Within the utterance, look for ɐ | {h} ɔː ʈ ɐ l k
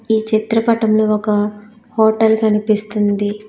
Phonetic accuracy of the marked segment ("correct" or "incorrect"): correct